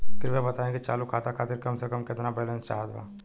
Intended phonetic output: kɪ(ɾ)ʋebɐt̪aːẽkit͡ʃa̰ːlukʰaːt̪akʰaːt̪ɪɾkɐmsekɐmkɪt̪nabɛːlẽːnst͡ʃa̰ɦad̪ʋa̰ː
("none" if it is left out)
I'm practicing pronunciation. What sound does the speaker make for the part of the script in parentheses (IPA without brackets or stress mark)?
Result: ɾ